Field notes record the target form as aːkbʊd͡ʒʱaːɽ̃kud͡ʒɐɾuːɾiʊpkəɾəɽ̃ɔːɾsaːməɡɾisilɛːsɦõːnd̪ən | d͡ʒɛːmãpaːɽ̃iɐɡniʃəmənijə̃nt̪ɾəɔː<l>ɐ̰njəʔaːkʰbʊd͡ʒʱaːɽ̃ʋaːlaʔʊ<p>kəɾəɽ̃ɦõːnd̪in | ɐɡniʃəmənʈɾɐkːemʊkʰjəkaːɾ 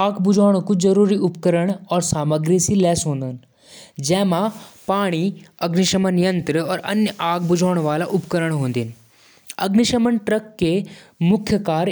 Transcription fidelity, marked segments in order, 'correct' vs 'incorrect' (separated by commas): incorrect, correct